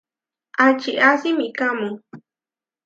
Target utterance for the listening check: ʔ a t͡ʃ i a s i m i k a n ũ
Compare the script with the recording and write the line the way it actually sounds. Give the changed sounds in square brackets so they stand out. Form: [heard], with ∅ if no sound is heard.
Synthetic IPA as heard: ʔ a t͡ʃ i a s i m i k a [m] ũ